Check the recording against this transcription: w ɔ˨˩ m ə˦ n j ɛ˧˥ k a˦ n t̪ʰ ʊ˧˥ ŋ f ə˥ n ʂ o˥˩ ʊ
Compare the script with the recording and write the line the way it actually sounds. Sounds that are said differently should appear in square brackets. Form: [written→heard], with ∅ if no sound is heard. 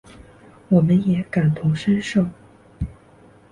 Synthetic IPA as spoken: w ɔ˨˩ m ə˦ n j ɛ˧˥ k [a˦→a˨˩] n t̪ʰ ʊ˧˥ ŋ [f→ʂ] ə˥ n ʂ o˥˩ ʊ